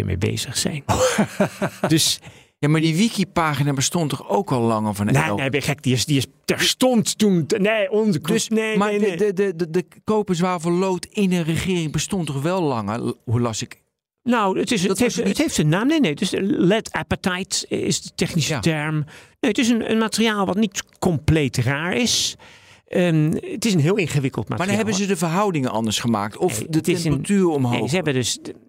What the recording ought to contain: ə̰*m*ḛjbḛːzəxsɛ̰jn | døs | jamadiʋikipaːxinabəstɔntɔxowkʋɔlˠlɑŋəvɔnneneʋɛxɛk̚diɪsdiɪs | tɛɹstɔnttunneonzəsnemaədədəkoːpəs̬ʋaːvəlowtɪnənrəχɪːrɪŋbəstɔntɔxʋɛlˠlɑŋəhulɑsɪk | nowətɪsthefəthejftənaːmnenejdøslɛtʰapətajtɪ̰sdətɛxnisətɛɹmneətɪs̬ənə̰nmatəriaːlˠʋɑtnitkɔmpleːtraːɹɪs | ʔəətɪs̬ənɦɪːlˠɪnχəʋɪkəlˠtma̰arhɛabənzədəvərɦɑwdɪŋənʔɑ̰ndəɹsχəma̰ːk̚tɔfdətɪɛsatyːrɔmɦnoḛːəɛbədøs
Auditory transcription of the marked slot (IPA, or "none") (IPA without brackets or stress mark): m